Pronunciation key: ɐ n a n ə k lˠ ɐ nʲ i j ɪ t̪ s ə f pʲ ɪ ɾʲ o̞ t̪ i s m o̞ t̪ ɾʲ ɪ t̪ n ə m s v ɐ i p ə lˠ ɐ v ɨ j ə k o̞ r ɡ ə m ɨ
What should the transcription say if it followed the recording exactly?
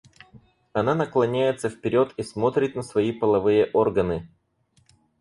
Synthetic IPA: ɐ n a n ə k lˠ ɐ nʲ æ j ɪ t̪ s ə f pʲ ɪ ɾʲ o̞ t̪ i s m o̞ t̪ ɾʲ ɪ t̪ n ə s v ɐ i p ə lˠ ɐ v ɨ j ə ʔ o̞ r ɡ ə n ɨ

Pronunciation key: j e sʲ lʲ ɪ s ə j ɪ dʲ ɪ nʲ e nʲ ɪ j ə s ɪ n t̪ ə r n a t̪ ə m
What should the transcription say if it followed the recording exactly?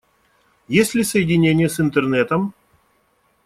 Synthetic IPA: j e sʲ lʲ ɪ s ə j ɪ dʲ ɪ nʲ e nʲ ɪ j ə s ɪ n t̪ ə r n ɛ t̪ ə m

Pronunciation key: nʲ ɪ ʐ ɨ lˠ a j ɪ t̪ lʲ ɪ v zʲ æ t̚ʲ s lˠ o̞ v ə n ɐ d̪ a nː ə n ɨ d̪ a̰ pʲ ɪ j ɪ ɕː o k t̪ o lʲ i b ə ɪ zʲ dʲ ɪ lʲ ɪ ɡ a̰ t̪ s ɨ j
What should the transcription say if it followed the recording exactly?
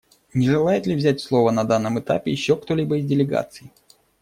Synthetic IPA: nʲ ɪ ʐ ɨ lˠ a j ɪ t̪ lʲ ɪ v zʲ æ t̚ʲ s lˠ o̞ v ə n ɐ d̪ a nː ə m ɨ t̪ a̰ pʲ ɪ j ɪ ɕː o k t̪ o lʲ i b ə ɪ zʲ dʲ ɪ lʲ ɪ ɡ a̰ t̪ s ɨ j

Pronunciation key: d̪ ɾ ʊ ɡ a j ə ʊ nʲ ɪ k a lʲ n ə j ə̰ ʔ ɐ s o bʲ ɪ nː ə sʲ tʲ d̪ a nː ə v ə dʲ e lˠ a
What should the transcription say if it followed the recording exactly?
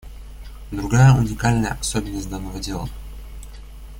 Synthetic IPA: d̪ ɾ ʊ ɡ a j ə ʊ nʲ ɪ k a lʲ n ə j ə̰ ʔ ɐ s o bʲ ɪ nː ə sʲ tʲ d̪ a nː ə v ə dʲ e lˠ ə

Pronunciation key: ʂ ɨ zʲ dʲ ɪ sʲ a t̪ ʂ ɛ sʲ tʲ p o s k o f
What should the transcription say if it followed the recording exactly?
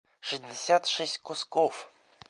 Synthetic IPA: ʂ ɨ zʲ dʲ ɪ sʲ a t̪ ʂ ɛ sʲ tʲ k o s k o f

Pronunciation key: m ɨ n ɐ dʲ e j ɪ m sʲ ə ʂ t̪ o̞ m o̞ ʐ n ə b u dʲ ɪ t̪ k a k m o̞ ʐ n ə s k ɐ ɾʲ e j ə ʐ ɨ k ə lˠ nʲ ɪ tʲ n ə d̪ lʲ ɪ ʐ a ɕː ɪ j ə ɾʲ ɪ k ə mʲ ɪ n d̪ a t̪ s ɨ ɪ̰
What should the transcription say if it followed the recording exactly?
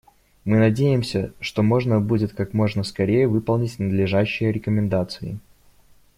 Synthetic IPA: m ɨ n ɐ dʲ e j ɪ m sʲ ə ʂ t̪ o̞ m o̞ ʐ n ə b u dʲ ɪ t̪ k a k m o̞ ʐ n ə s k ɐ ɾʲ e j ə v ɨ p ə lˠ nʲ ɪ tʲ n ə d̪ lʲ ɪ ʐ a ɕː ɪ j ə ɾʲ ɪ k ə mʲ ɪ n d̪ a t̪ s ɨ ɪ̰

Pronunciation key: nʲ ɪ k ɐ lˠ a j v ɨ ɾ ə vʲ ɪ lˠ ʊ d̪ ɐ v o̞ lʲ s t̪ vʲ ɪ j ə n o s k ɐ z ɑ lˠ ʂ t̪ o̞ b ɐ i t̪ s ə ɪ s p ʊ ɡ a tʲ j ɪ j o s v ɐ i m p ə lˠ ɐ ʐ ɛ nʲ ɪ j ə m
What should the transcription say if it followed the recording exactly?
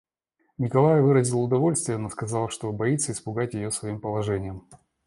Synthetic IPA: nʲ ɪ k ɐ lˠ a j v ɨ ɾ ə zʲ ɪ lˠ ʊ d̪ ɐ v o̞ lʲ s t̪ vʲ ɪ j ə n o s k ɐ z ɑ lˠ ʂ t̪ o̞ b ɐ i t̪ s ə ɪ s p ʊ ɡ a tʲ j ɪ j o s v ɐ i m p ə lˠ ɐ ʐ ɛ nʲ ɪ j ə m

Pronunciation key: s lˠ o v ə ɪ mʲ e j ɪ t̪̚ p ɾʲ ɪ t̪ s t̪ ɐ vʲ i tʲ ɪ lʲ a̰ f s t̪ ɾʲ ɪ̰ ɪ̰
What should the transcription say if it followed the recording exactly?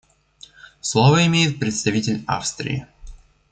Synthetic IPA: s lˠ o v ə ɪ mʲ e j ɪ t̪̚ p ɾʲ ɪ t̪ s t̪ ɐ vʲ i tʲ ɪ lʲ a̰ f s t̪ ɾʲ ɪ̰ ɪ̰

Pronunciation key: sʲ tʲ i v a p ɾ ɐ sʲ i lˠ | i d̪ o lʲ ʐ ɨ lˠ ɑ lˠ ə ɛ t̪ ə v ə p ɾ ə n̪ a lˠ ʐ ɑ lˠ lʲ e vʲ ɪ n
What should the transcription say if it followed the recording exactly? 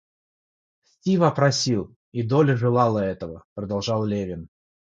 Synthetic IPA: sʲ tʲ i v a p ɾ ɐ sʲ i lˠ | i d̪ o lʲ ʐ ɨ lˠ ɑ lˠ ə ɛ t̪ ə v ə p ɾ ə d̪ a lˠ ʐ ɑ lˠ lʲ e vʲ ɪ n

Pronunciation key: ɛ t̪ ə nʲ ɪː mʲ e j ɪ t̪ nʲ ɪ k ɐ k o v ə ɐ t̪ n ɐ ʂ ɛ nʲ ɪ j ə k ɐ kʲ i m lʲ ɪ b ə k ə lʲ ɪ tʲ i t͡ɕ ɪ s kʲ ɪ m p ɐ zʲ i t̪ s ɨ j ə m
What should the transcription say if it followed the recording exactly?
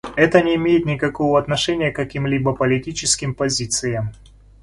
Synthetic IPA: ɛ t̪ ə nʲ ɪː mʲ e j ɪ t̪ nʲ ɪ k ɐ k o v ə ɐ t̪ n ɐ ʂ ɛ nʲ ɪ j ə k ɐ kʲ i m lʲ i b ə p ə lʲ ɪ tʲ i t͡ɕ ɪ s kʲ ɪ m p ɐ zʲ i t̪ s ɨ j ə m

